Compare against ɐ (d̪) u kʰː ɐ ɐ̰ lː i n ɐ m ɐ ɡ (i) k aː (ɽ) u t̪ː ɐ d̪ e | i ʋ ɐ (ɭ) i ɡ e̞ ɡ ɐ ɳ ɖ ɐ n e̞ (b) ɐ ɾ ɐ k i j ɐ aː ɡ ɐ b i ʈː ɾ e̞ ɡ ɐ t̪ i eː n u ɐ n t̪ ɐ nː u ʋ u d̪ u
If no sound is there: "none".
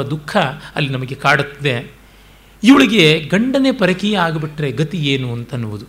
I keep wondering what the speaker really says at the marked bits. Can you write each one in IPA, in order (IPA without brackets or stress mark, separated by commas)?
d̪, e, ɽ, ɭ, p